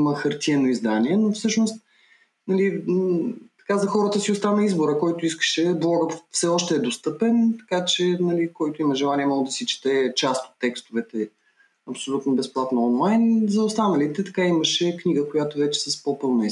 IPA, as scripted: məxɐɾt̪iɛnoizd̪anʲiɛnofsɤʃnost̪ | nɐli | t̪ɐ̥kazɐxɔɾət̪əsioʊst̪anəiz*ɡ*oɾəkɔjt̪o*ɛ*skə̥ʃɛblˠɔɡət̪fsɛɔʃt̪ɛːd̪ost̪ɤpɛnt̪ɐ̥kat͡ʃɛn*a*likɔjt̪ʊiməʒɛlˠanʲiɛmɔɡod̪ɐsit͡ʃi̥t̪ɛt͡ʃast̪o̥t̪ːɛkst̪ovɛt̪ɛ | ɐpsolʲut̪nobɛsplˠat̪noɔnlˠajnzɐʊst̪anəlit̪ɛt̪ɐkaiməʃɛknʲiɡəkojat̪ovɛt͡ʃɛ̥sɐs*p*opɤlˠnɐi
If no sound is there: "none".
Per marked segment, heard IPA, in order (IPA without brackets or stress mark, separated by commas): b, i, ɐ, p